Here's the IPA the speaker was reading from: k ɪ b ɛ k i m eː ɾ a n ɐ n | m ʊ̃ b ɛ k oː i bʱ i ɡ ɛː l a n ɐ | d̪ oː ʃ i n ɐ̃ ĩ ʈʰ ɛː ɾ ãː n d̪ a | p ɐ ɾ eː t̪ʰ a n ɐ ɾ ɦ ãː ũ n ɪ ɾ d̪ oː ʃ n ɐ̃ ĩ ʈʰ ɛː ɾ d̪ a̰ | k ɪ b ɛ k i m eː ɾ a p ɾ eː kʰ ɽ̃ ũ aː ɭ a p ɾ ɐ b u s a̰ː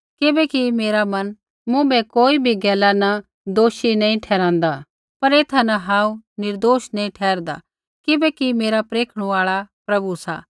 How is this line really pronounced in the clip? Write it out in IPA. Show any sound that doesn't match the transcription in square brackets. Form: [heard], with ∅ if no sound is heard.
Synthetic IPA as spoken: k ɪ b ɛ k i m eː ɾ a [m] ɐ n | m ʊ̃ b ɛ k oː i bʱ i ɡ ɛː l a n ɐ | d̪ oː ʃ i n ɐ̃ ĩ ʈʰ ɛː ɾ ãː n d̪ a | p ɐ ɾ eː t̪ʰ a n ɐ [∅] ɦ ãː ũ n ɪ ɾ d̪ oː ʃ n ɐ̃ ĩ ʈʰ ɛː ɾ d̪ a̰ | k ɪ b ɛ k i m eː ɾ a p ɾ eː kʰ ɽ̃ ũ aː ɭ a p ɾ ɐ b u s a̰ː